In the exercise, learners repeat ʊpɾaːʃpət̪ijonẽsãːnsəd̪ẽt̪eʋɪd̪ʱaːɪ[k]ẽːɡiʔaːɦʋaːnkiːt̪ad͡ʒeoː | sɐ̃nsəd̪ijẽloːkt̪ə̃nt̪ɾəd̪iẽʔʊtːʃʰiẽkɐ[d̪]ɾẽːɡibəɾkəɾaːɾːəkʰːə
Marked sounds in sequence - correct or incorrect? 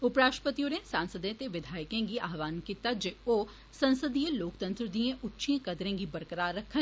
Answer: correct, correct

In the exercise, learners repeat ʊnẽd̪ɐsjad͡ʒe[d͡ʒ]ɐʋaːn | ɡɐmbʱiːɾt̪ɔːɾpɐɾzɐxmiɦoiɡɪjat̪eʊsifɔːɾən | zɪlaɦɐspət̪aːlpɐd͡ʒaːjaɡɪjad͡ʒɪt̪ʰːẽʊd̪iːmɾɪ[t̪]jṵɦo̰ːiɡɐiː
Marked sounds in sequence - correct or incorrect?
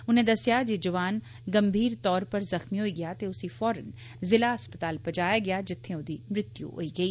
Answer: correct, correct

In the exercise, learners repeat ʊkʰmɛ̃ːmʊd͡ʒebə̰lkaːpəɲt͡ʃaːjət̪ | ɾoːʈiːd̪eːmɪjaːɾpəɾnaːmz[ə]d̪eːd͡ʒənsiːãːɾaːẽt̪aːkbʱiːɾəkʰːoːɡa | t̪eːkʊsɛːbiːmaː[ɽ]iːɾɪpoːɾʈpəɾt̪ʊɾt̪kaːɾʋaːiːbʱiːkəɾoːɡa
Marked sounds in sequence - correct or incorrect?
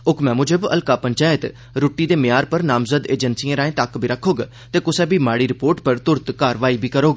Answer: correct, correct

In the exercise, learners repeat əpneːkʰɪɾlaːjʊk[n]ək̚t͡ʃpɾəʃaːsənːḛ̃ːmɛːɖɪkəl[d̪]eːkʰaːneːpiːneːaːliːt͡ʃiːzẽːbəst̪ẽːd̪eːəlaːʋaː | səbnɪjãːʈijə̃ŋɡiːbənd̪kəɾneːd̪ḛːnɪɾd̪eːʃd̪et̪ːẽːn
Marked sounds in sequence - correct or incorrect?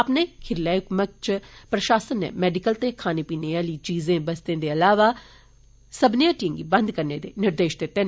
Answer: incorrect: m, incorrect: t̪

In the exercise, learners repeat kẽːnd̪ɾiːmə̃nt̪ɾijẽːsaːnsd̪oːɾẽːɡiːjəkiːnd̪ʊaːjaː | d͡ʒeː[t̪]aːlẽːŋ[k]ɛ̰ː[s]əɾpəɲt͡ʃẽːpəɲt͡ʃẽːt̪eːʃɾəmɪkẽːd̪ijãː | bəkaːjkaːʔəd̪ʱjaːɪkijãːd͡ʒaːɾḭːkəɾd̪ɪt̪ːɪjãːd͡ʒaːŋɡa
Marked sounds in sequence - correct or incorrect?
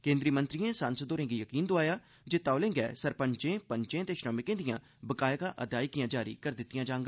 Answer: correct, incorrect: ɡ, correct

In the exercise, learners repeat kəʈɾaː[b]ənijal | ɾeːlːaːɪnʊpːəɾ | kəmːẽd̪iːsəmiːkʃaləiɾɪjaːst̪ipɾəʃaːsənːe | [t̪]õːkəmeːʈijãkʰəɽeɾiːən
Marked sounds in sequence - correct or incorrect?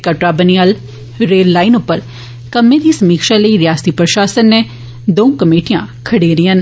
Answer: correct, incorrect: d̪

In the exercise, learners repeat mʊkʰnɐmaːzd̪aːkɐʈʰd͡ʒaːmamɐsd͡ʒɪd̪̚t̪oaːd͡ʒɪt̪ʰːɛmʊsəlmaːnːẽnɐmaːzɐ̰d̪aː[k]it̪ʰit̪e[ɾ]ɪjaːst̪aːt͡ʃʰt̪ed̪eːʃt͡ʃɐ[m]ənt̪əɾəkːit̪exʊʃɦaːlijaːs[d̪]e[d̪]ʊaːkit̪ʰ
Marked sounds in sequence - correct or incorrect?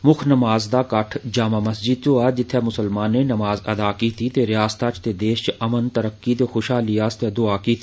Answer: correct, correct, correct, incorrect: t̪, correct

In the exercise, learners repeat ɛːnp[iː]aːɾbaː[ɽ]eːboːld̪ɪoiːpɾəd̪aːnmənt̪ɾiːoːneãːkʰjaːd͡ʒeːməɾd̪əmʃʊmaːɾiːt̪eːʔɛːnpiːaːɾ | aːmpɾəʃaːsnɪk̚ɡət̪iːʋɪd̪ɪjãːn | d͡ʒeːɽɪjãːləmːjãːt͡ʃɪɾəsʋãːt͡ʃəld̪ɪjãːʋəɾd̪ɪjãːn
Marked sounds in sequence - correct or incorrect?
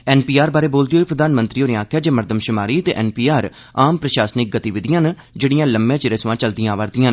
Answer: correct, incorrect: ɾ

